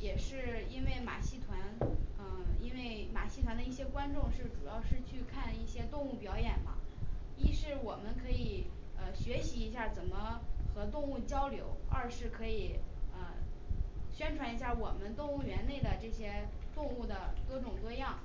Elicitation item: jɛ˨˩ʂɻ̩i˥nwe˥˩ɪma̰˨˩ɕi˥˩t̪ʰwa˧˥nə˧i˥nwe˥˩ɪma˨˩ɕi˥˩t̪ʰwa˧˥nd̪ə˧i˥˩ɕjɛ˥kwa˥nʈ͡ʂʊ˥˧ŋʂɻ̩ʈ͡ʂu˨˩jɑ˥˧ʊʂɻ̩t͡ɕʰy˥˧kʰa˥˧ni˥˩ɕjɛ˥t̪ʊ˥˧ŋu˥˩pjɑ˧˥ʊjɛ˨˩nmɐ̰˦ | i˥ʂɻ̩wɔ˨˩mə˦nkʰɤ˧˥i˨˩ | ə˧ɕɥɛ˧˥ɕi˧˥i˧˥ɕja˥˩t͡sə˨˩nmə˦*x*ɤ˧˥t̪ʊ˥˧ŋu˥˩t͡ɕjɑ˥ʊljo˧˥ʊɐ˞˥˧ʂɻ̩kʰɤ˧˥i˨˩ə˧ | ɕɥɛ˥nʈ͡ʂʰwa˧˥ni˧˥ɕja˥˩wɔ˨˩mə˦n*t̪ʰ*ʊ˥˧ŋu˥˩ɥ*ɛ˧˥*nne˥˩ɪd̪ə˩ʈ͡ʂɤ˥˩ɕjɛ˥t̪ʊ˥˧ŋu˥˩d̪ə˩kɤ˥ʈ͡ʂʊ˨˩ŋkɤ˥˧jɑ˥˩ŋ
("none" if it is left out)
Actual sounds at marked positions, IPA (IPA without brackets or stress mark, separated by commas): x, t̪, ɛ˧˥